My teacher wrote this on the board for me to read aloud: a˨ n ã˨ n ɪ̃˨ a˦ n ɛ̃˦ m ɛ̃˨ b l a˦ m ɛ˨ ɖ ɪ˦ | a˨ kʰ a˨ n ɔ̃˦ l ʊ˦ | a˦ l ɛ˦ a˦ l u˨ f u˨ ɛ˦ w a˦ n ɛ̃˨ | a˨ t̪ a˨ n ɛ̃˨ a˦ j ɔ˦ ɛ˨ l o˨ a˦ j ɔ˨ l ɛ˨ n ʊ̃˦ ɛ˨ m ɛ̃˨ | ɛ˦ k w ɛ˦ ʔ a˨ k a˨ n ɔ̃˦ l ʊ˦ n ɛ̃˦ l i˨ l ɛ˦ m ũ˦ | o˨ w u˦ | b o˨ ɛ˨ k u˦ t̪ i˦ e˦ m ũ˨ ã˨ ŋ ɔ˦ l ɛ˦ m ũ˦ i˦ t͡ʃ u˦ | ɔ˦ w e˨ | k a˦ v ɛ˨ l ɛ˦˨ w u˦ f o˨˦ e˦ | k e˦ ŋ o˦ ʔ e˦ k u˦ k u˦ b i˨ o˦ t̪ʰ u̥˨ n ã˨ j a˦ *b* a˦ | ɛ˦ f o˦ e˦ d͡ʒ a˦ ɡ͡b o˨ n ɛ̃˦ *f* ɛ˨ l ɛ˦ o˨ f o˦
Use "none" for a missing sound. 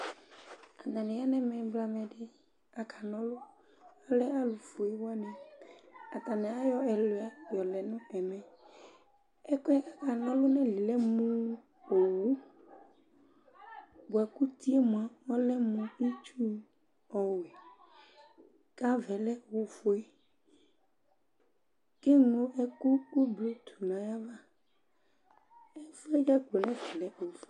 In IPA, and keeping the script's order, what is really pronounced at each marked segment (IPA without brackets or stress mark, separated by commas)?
v, v